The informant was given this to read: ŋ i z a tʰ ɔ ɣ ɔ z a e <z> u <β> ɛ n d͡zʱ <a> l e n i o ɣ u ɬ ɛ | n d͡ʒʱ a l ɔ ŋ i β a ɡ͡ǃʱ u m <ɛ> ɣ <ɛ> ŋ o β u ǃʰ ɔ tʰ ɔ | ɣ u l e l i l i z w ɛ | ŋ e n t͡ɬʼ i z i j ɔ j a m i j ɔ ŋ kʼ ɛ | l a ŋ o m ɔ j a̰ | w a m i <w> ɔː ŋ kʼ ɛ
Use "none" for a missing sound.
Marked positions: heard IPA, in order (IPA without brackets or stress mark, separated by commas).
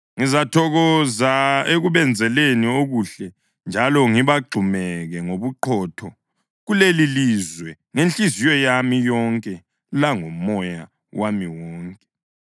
ɣ, β, ɛ, ɛ, ɛ, w